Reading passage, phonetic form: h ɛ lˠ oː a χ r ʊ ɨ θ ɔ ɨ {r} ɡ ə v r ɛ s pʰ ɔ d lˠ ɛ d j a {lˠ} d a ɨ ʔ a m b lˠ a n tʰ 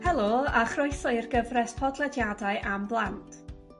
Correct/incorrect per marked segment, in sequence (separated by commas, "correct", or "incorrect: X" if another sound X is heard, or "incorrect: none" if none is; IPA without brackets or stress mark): correct, incorrect: none